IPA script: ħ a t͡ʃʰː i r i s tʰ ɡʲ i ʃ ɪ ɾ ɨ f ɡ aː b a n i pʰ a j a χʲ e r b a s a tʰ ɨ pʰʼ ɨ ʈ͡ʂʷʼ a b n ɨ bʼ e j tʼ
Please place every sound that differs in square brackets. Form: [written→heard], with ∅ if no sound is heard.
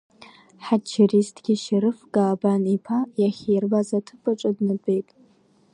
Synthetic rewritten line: ħ a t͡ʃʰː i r i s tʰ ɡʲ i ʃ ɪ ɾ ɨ f ɡ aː b a n i pʰ a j a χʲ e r b a [s→z] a tʰ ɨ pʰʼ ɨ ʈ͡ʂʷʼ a [b→d] n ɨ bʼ e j tʼ